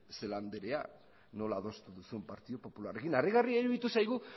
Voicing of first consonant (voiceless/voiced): voiceless